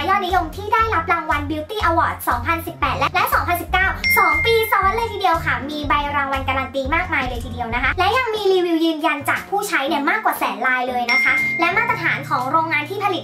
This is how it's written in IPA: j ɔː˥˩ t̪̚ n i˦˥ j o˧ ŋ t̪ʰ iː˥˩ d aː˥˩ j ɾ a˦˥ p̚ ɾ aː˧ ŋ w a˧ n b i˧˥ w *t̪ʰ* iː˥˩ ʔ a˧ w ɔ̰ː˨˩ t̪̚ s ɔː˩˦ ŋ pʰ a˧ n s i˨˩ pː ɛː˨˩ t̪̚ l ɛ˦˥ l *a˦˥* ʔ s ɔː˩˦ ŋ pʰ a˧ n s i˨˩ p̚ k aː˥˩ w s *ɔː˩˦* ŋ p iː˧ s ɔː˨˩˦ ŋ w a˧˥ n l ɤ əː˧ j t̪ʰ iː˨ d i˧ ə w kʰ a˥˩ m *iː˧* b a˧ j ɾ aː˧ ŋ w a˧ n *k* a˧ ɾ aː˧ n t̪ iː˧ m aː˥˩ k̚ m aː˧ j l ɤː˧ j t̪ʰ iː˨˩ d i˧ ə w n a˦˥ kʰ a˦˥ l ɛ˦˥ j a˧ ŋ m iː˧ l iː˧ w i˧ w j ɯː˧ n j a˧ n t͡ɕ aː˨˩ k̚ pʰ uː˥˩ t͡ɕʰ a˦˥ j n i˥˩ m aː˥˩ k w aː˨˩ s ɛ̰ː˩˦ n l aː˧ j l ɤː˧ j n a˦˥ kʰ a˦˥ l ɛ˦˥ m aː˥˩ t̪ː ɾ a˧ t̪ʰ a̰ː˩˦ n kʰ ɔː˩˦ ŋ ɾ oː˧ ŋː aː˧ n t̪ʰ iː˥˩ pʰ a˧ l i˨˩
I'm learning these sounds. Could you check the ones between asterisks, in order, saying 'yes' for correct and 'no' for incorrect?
no, no, yes, yes, yes

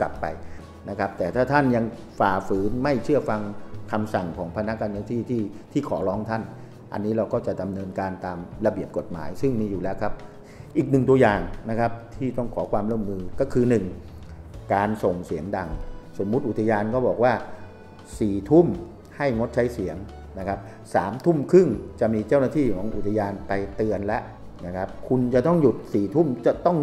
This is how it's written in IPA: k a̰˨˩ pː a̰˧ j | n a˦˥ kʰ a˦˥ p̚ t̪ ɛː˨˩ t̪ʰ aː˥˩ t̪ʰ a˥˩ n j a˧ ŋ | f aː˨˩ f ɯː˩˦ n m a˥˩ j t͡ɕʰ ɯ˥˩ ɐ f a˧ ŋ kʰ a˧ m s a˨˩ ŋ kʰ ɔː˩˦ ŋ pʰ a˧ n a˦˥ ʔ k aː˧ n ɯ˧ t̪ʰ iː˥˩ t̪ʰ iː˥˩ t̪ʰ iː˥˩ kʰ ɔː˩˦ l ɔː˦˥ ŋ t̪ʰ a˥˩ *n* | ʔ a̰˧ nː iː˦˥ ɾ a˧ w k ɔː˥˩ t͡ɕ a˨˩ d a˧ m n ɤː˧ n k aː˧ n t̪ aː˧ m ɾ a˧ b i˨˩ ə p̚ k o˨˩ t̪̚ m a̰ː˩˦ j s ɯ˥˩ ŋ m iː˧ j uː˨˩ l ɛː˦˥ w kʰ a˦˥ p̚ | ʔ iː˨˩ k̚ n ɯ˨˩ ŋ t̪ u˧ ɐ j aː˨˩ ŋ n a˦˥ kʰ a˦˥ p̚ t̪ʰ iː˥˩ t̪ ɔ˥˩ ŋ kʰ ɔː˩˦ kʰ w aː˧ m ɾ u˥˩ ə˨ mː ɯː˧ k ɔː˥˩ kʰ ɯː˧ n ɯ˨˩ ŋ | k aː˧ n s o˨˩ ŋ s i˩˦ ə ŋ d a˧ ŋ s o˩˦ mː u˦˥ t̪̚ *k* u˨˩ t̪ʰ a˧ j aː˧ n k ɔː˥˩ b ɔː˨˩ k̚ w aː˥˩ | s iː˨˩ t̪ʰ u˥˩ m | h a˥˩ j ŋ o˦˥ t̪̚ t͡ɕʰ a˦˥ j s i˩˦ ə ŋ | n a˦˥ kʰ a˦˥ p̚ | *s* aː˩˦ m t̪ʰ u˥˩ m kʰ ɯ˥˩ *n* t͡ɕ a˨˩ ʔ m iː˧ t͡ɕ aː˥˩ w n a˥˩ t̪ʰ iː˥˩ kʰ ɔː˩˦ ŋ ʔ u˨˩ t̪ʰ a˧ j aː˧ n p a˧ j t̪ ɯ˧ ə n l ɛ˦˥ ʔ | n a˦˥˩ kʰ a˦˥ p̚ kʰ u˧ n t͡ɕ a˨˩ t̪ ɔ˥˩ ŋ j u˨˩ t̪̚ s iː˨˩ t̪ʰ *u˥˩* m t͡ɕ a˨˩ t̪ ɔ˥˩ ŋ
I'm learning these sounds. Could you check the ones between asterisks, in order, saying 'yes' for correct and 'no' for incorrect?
yes, no, yes, no, yes

